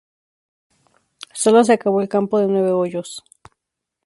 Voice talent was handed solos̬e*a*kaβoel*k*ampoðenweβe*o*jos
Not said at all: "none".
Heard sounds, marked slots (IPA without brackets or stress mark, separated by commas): a, k, o